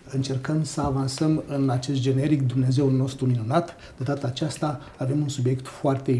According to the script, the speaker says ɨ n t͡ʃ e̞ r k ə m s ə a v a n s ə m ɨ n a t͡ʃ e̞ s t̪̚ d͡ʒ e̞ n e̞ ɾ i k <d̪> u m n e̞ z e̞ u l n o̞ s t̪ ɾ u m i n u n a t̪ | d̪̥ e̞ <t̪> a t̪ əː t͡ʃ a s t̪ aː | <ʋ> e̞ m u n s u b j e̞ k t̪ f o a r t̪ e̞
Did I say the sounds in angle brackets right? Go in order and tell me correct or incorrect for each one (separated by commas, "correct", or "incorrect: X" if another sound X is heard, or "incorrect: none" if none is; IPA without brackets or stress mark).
correct, incorrect: d̪, incorrect: v